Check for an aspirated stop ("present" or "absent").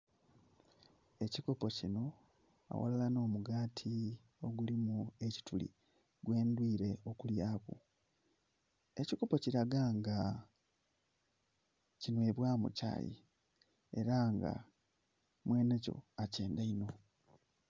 present